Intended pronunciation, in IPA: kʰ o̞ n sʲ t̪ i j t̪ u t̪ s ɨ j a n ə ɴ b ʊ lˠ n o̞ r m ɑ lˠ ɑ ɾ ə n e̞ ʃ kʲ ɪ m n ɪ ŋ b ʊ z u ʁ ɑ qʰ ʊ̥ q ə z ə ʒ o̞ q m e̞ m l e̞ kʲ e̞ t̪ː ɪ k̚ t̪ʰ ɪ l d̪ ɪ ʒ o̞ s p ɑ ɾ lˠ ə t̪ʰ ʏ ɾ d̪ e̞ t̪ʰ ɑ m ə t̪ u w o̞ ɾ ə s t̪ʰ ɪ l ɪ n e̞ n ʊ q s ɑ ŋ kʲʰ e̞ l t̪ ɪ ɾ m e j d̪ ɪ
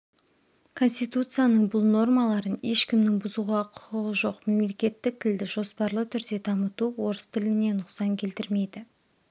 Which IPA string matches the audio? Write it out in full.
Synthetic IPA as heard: kʰ o̞ n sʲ t̪ i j t̪ u t̪ s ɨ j a n ə ɴ b ʊ lˠ n o̞ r m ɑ lˠ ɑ ɾ ə n e̞ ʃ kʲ ɪ m n ɪ ŋ b ʊ z u ʁ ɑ qʰ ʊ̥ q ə ʁ ə ʒ o̞ q m e̞ m l e̞ kʲ e̞ t̪ː ɪ k̚ t̪ʰ ɪ l d̪ ɪ ʒ o̞ s p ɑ ɾ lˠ ə t̪ʰ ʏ ɾ d̪ e̞ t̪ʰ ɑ m ə t̪ u w o̞ ɾ ə s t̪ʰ ɪ l ɪ n e̞ n ʊ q s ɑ ŋ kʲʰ e̞ l t̪ ɪ ɾ m e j d̪ ɪ